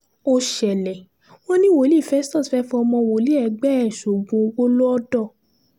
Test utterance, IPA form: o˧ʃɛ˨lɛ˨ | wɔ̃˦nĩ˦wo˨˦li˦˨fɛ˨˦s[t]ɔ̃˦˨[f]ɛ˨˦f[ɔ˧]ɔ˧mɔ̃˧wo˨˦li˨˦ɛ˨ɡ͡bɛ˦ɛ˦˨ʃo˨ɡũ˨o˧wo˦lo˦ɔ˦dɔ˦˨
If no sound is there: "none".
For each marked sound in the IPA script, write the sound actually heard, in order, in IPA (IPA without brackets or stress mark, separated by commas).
t, f, ɔ˧